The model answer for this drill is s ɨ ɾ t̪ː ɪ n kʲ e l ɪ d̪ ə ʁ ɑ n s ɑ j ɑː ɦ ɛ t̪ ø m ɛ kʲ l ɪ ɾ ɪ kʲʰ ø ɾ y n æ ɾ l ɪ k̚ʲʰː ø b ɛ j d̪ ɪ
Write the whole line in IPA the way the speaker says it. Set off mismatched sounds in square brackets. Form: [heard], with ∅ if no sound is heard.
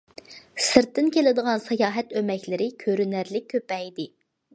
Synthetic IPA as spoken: s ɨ ɾ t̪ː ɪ n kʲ e l ɪ d̪ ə ʁ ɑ n s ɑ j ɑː ɦ ɛ t̪ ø m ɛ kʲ l ɪ ɾ ɪ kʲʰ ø ɾ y n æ ɾ l ɪ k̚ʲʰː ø [p] ɛ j d̪ ɪ

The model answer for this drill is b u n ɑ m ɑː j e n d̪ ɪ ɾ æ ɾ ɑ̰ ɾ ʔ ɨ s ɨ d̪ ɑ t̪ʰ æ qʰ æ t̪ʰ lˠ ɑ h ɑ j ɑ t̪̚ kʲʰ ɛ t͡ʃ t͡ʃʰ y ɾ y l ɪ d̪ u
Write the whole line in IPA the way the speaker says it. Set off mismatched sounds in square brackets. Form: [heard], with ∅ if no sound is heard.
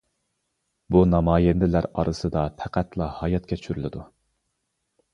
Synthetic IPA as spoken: b u n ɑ m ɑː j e n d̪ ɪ [l] æ ɾ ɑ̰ ɾ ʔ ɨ s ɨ d̪ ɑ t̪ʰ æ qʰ æ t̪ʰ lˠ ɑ h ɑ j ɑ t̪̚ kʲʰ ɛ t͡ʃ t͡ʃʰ y ɾ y l ɪ d̪ u

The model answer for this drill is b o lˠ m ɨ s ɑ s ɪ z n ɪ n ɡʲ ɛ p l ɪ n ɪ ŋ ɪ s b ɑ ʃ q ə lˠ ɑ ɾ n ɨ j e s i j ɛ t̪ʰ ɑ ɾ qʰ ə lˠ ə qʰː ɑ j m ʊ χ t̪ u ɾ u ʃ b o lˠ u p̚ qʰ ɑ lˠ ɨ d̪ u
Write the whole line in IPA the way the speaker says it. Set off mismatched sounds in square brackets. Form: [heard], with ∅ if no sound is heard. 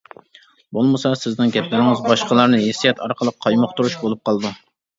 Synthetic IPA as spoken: b o lˠ m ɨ s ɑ s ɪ z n ɪ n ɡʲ ɛ p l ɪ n ɪ ŋ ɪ [z] b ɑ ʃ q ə lˠ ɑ ɾ n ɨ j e s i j ɛ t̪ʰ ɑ ɾ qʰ ə lˠ ə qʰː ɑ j m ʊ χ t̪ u ɾ u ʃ b o lˠ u p̚ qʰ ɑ lˠ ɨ d̪ u

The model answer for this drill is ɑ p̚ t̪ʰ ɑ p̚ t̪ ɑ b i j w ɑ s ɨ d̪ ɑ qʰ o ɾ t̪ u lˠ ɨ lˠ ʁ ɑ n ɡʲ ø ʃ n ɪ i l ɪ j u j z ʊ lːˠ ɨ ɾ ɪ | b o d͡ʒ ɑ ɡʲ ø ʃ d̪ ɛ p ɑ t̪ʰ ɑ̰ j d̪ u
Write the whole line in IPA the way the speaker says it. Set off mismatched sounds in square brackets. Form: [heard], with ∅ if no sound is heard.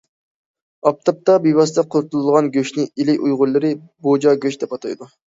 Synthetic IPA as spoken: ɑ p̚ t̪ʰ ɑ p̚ t̪ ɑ b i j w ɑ s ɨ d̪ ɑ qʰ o ɾ t̪ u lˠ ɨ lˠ ʁ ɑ n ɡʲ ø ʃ n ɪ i l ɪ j u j [ʁ] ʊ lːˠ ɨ ɾ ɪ | b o d͡ʒ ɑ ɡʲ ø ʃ d̪ ɛ p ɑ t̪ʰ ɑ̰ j d̪ u

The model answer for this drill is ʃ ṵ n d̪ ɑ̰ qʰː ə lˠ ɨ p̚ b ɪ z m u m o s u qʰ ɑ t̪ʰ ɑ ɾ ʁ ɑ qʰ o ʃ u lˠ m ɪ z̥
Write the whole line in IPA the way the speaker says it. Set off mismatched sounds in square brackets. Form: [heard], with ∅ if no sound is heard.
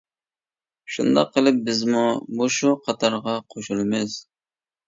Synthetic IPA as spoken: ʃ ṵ n d̪ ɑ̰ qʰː ə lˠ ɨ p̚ b ɪ z m u m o [ʃ] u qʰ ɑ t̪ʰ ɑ ɾ ʁ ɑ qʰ o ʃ u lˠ m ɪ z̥

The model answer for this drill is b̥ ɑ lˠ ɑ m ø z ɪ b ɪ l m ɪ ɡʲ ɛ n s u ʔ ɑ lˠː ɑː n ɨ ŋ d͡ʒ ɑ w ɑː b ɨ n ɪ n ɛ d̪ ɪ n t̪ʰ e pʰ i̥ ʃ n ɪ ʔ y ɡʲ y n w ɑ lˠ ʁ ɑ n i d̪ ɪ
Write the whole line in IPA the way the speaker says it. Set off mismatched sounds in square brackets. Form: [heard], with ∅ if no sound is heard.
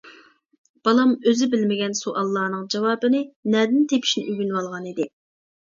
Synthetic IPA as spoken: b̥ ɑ lˠ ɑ m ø z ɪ b ɪ l m ɪ ɡʲ ɛ n s u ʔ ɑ lˠː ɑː n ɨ ŋ d͡ʒ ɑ w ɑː b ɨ n ɪ n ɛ d̪ ɪ n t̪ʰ e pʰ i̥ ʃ n ɪ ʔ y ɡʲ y n w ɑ lˠ ʁ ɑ n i d̪ ɪ

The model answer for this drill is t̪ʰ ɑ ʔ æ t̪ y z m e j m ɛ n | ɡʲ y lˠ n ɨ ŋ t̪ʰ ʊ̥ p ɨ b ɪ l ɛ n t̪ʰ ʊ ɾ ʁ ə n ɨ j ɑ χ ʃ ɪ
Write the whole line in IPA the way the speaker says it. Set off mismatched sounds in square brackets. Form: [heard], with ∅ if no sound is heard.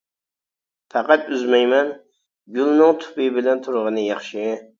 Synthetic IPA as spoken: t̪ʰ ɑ [q] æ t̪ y z m [ɛ] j m ɛ n | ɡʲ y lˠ n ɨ ŋ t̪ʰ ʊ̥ p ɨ b ɪ l ɛ n t̪ʰ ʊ ɾ ʁ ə n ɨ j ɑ χ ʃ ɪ

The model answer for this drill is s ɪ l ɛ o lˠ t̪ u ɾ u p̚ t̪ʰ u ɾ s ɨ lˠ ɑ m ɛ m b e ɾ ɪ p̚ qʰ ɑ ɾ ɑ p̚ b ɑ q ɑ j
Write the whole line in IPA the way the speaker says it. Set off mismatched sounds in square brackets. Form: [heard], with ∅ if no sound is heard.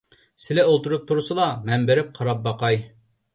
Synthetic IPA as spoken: s ɪ l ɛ o lˠ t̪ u ɾ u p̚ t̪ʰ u ɾ s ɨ lˠ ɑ m ɛ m b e ɾ ɪ p̚ qʰ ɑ ɾ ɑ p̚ b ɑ q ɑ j

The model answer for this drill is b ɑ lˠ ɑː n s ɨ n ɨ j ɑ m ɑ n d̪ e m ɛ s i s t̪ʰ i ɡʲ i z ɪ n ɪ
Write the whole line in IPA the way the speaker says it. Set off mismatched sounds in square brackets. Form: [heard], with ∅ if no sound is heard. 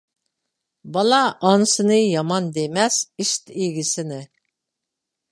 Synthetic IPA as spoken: b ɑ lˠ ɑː n s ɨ n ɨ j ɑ m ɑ n d̪ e m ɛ s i [ʃ] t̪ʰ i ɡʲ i [s] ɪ n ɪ

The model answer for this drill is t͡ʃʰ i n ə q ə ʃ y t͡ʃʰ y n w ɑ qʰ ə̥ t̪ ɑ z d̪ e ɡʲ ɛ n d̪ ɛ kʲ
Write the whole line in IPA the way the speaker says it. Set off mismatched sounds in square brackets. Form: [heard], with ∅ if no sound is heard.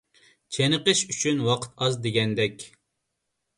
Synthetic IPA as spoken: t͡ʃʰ [e] n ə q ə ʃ y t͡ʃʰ y n w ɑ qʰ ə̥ t̪ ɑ z d̪ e ɡʲ ɛ n d̪ ɛ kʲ

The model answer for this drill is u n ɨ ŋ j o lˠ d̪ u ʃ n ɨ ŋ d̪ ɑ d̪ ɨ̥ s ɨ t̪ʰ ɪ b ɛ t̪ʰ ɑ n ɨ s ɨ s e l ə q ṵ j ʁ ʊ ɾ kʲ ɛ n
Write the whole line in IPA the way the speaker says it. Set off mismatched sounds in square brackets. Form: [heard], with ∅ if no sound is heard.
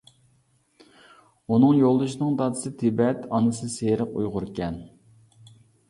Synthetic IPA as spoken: u n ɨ ŋ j o lˠ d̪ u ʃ n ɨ ŋ d̪ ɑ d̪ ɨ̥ s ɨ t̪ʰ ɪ b ɛ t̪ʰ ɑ n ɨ s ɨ s e [ɾ] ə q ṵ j ʁ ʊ ɾ kʲ ɛ n

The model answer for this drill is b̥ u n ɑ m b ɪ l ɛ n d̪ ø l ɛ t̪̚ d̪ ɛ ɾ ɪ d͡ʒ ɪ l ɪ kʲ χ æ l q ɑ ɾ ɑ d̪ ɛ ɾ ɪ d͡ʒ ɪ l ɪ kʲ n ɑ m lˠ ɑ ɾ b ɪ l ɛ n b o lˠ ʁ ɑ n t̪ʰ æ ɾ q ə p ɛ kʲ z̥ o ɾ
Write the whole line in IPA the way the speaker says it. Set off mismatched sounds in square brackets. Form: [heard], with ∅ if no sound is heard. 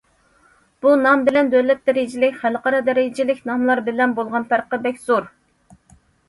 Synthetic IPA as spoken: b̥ u n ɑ m b ɪ l ɛ n d̪ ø l ɛ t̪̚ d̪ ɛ ɾ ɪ d͡ʒ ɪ l ɪ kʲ χ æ l q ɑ ɾ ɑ d̪ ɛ ɾ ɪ d͡ʒ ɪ l ɪ kʲ n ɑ m lˠ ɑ ɾ b ɪ l ɛ n b o lˠ ʁ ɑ n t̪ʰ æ ɾ q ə [b] ɛ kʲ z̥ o ɾ

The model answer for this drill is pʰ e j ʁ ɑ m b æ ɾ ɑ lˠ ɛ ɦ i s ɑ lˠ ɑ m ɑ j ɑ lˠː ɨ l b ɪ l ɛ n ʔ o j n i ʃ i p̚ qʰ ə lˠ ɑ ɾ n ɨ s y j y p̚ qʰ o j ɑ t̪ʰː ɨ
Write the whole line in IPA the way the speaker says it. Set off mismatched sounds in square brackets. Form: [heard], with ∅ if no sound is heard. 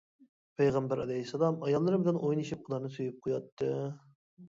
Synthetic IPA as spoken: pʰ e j ʁ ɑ m b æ ɾ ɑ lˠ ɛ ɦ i s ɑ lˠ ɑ m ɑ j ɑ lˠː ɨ [ɾ] b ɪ l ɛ n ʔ o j n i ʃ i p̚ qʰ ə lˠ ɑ ɾ n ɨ s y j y p̚ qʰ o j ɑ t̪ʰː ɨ

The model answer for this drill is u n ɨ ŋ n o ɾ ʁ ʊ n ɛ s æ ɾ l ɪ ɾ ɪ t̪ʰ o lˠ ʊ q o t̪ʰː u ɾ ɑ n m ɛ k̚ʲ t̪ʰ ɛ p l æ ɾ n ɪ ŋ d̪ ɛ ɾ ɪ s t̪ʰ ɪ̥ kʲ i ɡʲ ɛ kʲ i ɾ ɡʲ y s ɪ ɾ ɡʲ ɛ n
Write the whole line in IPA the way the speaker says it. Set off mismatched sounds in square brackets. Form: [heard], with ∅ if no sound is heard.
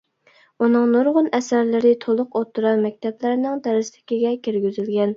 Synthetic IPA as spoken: u n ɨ ŋ n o ɾ ʁ ʊ n ɛ s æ ɾ l ɪ ɾ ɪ t̪ʰ o lˠ ʊ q o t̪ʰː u ɾ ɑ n m ɛ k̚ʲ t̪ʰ ɛ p l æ ɾ n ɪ ŋ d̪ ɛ ɾ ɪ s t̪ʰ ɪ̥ kʲ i ɡʲ ɛ kʲ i ɾ ɡʲ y [z] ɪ [l] ɡʲ ɛ n

